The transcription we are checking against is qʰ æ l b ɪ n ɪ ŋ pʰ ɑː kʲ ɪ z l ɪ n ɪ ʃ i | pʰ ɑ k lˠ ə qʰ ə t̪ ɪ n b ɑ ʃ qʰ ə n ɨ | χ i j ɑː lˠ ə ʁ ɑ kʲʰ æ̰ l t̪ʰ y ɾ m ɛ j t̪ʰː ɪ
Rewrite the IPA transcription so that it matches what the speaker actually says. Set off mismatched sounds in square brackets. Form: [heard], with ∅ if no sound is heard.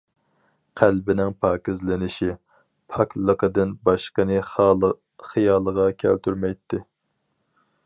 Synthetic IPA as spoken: qʰ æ l b ɪ n ɪ ŋ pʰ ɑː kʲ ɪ z l ɪ n ɪ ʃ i | pʰ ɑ k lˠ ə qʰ ə [d̪] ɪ n b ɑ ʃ [q] ə n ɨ | χ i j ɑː lˠ ə ʁ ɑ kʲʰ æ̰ l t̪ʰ y ɾ m ɛ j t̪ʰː ɪ

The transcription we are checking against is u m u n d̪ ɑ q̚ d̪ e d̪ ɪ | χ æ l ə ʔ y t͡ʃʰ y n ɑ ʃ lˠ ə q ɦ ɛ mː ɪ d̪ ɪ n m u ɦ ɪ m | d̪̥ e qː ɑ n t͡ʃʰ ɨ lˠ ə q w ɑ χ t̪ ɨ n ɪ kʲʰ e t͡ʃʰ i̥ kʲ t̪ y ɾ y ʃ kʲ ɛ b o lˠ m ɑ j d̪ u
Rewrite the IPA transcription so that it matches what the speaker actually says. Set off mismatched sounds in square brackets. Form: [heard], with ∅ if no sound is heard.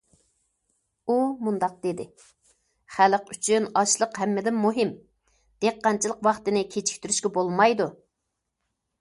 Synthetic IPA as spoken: u m u n d̪ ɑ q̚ d̪ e d̪ ɪ | χ æ l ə [q] y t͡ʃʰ y n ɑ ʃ lˠ ə q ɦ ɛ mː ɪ d̪ ɪ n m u ɦ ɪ m | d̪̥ e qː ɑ n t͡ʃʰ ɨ lˠ ə q w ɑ χ t̪ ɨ n ɪ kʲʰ e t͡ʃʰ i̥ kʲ t̪ y ɾ y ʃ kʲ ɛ b o lˠ m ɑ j d̪ u

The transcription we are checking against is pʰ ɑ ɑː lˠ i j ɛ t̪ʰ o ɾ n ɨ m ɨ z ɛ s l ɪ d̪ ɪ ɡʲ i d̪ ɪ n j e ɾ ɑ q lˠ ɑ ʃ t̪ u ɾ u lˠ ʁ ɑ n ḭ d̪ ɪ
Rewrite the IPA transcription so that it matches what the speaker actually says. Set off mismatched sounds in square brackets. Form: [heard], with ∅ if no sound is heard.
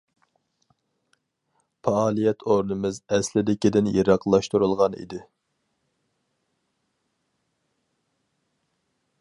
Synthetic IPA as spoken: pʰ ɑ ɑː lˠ i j ɛ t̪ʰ o ɾ n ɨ m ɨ z ɛ s l ɪ d̪ ɪ [kʲ] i d̪ ɪ n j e ɾ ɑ q lˠ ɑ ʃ t̪ u ɾ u lˠ ʁ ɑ n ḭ d̪ ɪ

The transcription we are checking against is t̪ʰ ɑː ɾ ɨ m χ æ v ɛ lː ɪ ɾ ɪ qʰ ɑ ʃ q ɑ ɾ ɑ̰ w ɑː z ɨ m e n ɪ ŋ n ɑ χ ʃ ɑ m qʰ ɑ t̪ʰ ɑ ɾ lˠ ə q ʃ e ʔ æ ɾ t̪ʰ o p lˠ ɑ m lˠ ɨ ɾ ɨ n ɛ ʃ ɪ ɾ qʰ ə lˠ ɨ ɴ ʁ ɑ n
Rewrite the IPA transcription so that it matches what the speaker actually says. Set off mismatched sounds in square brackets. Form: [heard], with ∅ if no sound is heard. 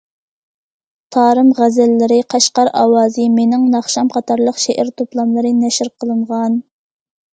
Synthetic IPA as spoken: t̪ʰ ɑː ɾ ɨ m [ʁ] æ [z] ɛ lː ɪ ɾ ɪ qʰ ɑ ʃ q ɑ ɾ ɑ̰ w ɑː z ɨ m e n ɪ ŋ n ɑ χ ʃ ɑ m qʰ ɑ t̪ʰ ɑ ɾ lˠ ə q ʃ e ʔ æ ɾ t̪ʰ o p lˠ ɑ m lˠ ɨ ɾ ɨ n ɛ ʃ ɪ ɾ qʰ ə lˠ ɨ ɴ ʁ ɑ n

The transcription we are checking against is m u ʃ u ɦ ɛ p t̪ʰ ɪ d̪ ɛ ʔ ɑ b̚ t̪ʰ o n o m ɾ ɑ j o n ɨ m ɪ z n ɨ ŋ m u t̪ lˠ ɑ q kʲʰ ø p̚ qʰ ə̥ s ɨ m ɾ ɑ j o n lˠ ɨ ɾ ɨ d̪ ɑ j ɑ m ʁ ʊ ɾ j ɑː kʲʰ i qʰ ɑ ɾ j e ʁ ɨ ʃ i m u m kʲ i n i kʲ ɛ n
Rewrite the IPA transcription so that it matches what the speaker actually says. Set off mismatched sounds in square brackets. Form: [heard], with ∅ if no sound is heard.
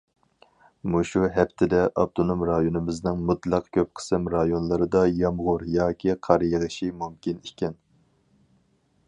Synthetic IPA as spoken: m u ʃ u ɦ ɛ p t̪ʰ ɪ d̪ ɛ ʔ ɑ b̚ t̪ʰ o n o m ɾ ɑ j o n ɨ m ɪ z n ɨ ŋ m u t̪ lˠ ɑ q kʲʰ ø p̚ qʰ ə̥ s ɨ m ɾ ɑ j o n lˠ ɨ ɾ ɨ d̪ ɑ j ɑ m ʁ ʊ ɾ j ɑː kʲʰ i qʰ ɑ ɾ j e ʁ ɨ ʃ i m u m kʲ i n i kʲ ɛ n

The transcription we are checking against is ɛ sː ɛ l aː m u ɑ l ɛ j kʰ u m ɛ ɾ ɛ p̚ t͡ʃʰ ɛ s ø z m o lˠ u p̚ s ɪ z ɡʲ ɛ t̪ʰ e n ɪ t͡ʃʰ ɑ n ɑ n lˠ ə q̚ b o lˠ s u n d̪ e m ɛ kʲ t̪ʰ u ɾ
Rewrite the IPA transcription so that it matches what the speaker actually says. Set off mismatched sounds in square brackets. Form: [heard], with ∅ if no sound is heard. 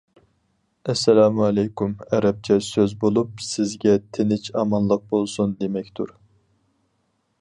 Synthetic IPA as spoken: ɛ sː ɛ l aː m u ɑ l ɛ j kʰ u m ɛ ɾ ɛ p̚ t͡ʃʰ ɛ s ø z [b] o lˠ u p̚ s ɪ z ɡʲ ɛ t̪ʰ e n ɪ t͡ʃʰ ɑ [m] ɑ n lˠ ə q̚ b o lˠ s u n d̪ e m ɛ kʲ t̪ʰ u ɾ

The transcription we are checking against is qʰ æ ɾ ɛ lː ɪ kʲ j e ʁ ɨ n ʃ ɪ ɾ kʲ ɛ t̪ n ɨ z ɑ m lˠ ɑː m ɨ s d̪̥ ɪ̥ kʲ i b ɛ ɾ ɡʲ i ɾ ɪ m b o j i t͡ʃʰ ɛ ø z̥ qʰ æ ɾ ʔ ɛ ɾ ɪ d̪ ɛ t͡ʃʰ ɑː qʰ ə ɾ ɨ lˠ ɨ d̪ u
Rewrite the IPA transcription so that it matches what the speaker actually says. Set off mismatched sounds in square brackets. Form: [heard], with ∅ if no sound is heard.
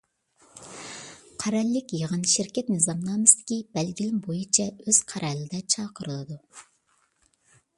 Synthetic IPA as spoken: qʰ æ ɾ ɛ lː ɪ kʲ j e ʁ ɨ n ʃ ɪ ɾ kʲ ɛ t̪ n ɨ z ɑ m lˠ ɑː m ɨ s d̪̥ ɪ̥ kʲ i b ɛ [l] ɡʲ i [l] ɪ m b o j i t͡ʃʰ ɛ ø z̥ qʰ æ ɾ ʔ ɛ [l] ɪ d̪ ɛ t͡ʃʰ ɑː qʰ ə ɾ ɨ lˠ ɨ d̪ u

